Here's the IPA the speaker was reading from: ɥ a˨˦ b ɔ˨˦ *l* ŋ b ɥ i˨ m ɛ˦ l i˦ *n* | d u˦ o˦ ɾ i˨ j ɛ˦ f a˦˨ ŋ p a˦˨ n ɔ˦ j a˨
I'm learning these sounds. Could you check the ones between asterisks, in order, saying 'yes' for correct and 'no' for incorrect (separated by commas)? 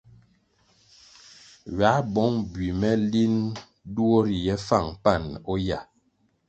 no, yes